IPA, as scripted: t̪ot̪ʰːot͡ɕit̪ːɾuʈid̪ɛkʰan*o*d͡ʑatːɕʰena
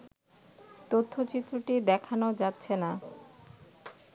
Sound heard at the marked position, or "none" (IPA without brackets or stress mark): o